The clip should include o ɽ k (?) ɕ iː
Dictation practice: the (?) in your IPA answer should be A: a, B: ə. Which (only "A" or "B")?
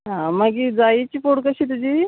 B